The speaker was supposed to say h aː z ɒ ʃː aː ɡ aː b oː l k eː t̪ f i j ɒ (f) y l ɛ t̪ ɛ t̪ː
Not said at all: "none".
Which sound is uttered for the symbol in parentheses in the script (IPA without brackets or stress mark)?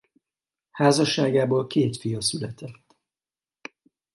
s